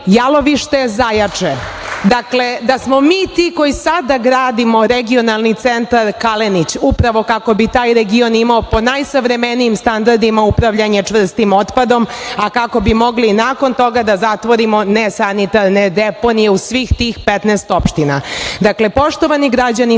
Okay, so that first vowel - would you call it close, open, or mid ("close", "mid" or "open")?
open